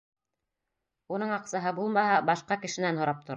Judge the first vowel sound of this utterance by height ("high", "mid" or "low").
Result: high